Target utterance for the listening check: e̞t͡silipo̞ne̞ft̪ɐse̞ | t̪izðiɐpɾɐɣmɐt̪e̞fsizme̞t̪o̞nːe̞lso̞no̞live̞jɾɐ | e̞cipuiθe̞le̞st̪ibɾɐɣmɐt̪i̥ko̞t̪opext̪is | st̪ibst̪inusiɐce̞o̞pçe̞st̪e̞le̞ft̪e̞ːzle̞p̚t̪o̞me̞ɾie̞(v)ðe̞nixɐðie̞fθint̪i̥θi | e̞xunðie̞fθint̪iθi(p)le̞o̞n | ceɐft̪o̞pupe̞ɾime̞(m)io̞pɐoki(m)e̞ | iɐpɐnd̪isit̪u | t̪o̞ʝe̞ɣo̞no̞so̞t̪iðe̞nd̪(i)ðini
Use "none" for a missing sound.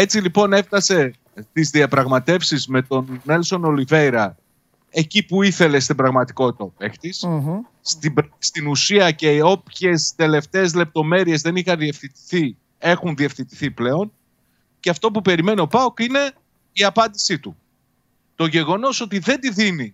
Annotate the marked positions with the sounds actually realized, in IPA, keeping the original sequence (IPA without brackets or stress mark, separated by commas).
z, p, n, n, i